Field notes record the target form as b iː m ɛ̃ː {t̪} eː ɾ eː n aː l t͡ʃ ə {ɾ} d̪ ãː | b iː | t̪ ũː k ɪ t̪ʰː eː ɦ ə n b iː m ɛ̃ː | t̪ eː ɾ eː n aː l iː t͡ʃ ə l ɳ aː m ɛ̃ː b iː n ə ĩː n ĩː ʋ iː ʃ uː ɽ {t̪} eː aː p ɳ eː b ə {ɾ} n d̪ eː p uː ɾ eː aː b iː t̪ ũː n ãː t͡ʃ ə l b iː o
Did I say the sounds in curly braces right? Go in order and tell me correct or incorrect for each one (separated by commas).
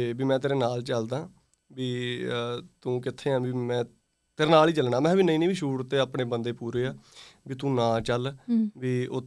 correct, incorrect, correct, incorrect